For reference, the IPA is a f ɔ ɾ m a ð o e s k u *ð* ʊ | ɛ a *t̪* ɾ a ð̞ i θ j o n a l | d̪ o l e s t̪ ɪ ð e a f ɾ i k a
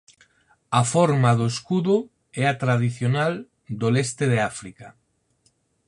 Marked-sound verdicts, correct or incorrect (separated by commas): correct, correct